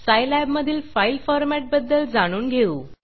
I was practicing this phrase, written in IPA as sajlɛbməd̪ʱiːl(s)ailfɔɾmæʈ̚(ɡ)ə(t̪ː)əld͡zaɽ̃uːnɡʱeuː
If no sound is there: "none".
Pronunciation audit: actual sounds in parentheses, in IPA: f, b, d̪ː

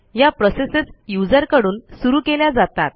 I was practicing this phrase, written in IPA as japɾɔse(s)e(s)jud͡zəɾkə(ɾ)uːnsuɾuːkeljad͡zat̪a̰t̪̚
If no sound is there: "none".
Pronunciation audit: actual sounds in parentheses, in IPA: s, s, ɽ

